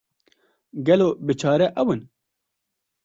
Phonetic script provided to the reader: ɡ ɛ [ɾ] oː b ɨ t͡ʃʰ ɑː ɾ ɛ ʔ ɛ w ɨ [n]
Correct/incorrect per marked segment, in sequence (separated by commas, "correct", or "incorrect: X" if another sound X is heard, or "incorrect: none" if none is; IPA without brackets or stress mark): incorrect: l, correct